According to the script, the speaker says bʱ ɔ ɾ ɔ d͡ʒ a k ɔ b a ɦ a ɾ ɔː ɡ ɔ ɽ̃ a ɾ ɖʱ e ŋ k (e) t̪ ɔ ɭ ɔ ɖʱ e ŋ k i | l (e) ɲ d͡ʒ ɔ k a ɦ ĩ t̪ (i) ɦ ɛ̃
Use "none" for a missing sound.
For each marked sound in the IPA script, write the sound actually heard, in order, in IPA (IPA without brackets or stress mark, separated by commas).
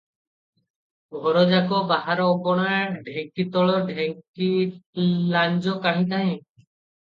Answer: i, a, a